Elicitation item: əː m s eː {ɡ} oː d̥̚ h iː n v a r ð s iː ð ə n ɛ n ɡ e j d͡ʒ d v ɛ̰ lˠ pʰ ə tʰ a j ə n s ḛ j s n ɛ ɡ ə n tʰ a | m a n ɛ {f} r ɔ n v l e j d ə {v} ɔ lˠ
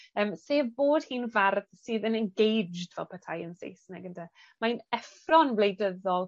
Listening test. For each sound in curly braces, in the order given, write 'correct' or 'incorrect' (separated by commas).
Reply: incorrect, correct, incorrect